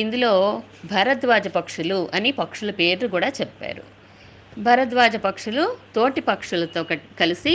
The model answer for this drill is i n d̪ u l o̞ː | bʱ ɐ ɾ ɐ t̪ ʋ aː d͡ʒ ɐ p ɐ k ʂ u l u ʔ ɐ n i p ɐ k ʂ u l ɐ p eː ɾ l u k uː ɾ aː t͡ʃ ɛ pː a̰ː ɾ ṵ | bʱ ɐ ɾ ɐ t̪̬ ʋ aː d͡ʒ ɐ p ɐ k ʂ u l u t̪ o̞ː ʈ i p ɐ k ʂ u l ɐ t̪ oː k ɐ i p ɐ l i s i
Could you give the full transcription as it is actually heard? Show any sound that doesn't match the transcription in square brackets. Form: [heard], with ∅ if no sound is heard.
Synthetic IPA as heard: i n d̪ u l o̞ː | bʱ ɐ ɾ ɐ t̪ ʋ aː d͡ʒ ɐ p ɐ k ʂ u l u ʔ ɐ n i p ɐ k ʂ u l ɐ p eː ɾ l u k uː [ɽ] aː t͡ʃ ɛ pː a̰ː ɾ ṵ | bʱ ɐ ɾ ɐ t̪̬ ʋ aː d͡ʒ ɐ p ɐ k ʂ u l u t̪ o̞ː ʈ i p ɐ k ʂ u l ɐ t̪ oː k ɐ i [k] ɐ l i s i